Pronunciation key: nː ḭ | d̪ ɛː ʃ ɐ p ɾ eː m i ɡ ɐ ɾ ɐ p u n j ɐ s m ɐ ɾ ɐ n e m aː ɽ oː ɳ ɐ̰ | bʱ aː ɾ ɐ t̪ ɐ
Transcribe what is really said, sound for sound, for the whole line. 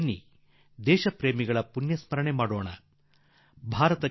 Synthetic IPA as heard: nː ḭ | d̪ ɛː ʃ ɐ p ɾ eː m i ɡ ɐ ɭ ɐ p u n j ɐ s m ɐ ɾ ɐ ɳ e m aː ɽ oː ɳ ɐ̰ | bʱ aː ɾ ɐ t̪ ɐ